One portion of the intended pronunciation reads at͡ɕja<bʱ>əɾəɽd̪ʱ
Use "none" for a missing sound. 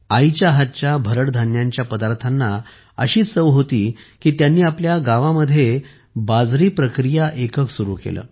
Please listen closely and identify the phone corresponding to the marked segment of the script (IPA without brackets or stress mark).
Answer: bʱ